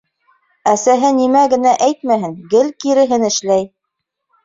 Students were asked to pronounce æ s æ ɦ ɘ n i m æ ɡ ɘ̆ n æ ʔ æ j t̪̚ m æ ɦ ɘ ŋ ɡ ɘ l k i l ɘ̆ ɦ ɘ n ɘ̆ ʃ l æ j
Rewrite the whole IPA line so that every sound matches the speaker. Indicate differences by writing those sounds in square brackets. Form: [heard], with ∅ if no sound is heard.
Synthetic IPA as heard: æ s æ ɦ ɘ n i m æ ɡ ɘ̆ n æ ʔ æ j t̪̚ m æ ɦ ɘ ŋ ɡ ɘ l k i [ɾ] ɘ̆ ɦ ɘ n ɘ̆ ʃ l æ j